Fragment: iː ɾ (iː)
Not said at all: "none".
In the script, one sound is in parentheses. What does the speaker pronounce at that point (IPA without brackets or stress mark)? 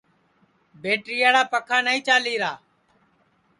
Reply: aː